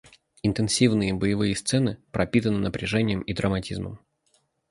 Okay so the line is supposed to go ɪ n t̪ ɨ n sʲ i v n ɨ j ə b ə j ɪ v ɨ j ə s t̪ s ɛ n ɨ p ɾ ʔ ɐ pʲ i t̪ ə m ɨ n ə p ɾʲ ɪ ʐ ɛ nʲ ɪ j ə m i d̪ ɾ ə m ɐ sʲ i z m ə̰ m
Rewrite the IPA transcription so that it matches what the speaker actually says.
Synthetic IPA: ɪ n t̪ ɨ n sʲ i v n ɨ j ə b ə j ɪ v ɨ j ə s t̪ s ɛ n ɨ p ɾ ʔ ɐ pʲ i t̪ ə n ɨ n ə p ɾʲ ɪ ʐ ɛ nʲ ɪ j ə m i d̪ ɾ ə m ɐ tʲ i z m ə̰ m

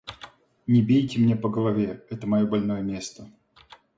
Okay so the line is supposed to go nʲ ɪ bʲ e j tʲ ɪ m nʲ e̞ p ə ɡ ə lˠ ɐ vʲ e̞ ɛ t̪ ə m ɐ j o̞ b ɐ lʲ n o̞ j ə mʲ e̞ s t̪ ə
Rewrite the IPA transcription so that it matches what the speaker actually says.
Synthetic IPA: nʲ ɪ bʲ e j tʲ ɪ m nʲ e̞ p ə ɡ ə lˠ ɐ vʲ e̞ ɛ t̪ ə m ɐ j o̞ b ɐ lʲ n o̞ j ə mʲ e̞ s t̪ ə

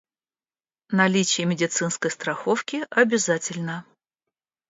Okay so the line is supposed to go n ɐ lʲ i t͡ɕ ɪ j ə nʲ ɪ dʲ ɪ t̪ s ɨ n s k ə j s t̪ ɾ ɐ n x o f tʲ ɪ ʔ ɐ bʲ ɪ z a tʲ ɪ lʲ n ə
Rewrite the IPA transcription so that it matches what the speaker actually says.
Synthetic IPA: n ɐ lʲ i t͡ɕ ɪ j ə mʲ ɪ dʲ ɪ t̪ s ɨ n s k ə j s t̪ ɾ ɐ x o f kʲ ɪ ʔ ɐ bʲ ɪ z a tʲ ɪ lʲ n ə

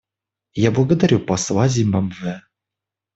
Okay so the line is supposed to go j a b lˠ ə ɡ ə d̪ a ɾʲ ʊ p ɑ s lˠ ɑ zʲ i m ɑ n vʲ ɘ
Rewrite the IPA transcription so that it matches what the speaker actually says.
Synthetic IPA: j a b lˠ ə ɡ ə d̪ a ɾʲ u p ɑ s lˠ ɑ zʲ i m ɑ m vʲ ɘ

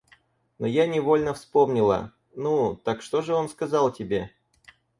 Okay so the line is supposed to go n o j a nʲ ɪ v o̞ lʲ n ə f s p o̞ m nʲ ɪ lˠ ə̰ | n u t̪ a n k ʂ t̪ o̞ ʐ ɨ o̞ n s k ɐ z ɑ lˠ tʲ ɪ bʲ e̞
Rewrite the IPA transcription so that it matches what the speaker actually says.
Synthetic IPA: n o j a nʲ ɪ v o̞ lʲ n ə f s p o̞ m nʲ ɪ lˠ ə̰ | n u t̪ a k ʂ t̪ o̞ ʐ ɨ o̞ n s k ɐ z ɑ lˠ tʲ ɪ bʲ e̞

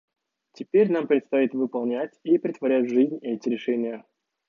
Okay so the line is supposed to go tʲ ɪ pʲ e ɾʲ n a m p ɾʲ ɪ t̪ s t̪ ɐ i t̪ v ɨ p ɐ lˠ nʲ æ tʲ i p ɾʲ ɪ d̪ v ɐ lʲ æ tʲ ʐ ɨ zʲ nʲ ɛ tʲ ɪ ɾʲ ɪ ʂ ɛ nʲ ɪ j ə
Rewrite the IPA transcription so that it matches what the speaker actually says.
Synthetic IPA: tʲ ɪ pʲ e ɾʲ n a m p ɾʲ ɪ t̪ s t̪ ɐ i t̪ v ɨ p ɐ lˠ nʲ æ tʲ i p ɾʲ ɪ t̪ v ɐ ɾʲ æ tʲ ʐ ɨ zʲ nʲ ɛ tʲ ɪ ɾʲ ɪ ʂ ɛ nʲ ɪ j ə

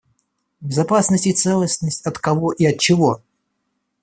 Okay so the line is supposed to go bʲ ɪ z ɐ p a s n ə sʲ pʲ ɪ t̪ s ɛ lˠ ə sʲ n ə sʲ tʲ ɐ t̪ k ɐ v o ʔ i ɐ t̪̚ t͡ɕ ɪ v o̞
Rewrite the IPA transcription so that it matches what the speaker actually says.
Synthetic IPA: bʲ ɪ z ɐ p a s n ə sʲ tʲ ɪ t̪ s ɛ lˠ ə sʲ n ə sʲ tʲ ɐ t̪ k ɐ v o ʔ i ɐ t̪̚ t͡ɕ ɪ v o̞

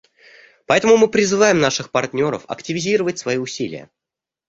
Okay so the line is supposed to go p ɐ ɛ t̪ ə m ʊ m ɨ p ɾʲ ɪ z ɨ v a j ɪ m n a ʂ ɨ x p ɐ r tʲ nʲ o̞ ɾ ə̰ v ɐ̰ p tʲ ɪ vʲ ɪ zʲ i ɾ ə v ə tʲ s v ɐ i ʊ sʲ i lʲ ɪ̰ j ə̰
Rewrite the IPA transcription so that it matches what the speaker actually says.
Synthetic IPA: p ɐ ɛ t̪ ə m ʊ m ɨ p ɾʲ ɪ z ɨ v a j ɪ m n a ʂ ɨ x p ɐ r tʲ nʲ o̞ ɾ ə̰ f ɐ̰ k tʲ ɪ vʲ ɪ zʲ i ɾ ə v ə tʲ s v ɐ i ʊ sʲ i lʲ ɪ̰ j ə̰

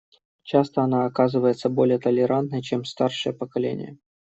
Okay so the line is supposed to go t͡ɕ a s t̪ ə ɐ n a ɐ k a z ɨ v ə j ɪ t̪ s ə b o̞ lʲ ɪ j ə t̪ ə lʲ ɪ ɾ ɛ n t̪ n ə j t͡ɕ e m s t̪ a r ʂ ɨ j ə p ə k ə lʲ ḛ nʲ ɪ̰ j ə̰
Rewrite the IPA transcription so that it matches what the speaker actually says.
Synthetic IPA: t͡ɕ a s t̪ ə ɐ n a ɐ k a z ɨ v ə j ɪ t̪ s ə b o̞ lʲ ɪ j ə t̪ ə lʲ ɪ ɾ a n t̪ n ə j t͡ɕ e m s t̪ a r ʂ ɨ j ə p ə k ɐ lʲ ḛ nʲ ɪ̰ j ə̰

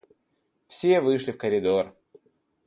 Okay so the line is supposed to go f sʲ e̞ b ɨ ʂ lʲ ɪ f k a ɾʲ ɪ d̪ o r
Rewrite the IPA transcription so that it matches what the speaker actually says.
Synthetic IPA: f sʲ e̞ v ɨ ʂ lʲ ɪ f k ə ɾʲ ɪ d̪ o r

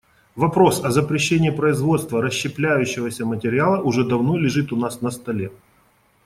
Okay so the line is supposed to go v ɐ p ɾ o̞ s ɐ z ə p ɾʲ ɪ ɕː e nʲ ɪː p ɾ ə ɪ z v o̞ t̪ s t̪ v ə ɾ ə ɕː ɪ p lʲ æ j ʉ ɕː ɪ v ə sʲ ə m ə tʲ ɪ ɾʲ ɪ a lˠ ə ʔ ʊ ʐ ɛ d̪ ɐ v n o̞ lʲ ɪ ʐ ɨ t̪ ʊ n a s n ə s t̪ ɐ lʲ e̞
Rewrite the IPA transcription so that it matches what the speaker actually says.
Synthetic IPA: v ɐ p ɾ o̞ s ɐ z ə p ɾʲ ɪ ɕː e nʲ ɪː p ɾ ə ɪ z v o̞ t̪ s t̪ v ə ɾ ə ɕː ɪ p lʲ æ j ʉ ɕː ɪ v ə sʲ ə m ə tʲ ɪ ɾʲ ɪ a lˠ ə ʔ ʊ ʐ ɛ d̪ ɐ v n o̞ lʲ ɪ ʐ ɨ t̪ ʊ n a s n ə s t̪ ɐ lʲ e̞

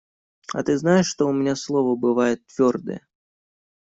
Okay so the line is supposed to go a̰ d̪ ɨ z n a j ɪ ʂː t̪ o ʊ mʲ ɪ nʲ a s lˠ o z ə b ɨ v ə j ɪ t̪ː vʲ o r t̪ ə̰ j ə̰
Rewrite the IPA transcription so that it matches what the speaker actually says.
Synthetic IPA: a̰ t̪ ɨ z n a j ɪ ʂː t̪ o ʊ mʲ ɪ nʲ a s lˠ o v ə b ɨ v a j ɪ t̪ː vʲ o r d̪ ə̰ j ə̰

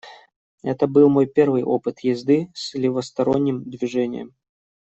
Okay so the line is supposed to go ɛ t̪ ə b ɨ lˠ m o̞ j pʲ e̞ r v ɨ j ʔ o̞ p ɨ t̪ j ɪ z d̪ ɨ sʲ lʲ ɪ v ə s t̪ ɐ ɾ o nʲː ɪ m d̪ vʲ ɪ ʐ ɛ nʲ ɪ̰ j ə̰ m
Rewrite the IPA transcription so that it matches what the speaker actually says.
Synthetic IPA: ɛ t̪ ə b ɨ lˠ m o̞ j pʲ e̞ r v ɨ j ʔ o̞ p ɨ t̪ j ɪ z d̪ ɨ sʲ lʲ ɪ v ə s t̪ ɐ ɾ o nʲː ɪ m d̪ vʲ ɪ ʐ ɛ nʲ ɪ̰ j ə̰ m

